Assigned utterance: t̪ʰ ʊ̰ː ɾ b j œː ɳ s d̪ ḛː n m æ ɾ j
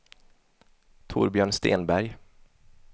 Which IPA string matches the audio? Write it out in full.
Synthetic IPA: t̪ʰ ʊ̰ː ɾ b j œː ɳ s t̪ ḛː n b æ ɾ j